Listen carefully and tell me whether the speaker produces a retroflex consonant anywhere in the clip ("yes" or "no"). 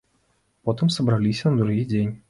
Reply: no